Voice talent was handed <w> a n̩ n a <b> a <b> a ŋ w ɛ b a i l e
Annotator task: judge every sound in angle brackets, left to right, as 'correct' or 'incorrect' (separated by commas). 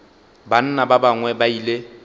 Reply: incorrect, correct, correct